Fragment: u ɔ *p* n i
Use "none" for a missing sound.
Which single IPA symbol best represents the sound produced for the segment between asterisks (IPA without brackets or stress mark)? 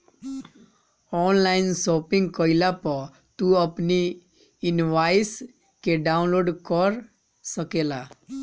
p